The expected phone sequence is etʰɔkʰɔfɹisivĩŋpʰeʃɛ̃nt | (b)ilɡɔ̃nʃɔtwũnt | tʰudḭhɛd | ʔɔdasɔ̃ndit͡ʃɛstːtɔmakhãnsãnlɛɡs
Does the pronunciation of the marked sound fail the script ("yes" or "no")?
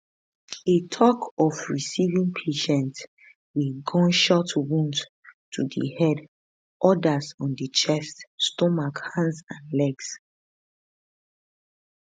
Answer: yes